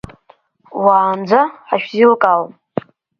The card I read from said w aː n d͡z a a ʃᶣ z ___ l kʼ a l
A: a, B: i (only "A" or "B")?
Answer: B